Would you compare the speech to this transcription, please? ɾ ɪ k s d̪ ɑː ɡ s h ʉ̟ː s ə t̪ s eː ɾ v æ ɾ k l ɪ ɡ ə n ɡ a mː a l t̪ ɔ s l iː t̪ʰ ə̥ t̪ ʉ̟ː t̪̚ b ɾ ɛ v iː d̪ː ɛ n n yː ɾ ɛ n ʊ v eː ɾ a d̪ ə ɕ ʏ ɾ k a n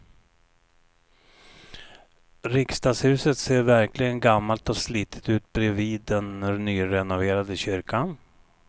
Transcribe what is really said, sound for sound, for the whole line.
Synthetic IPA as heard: ɾ ɪ k s t̪ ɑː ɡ s h ʉ̟ː s ə t̪ s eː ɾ v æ ɾ k l ɪ ɡ ə n ɡ a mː a l t̪ ɔ s l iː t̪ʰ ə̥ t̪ ʉ̟ː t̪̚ b ɾ ɛ v iː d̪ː ɛ n n yː ɾ ɛ n ʊ v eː ɾ a d̪ ə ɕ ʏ ɾ k a n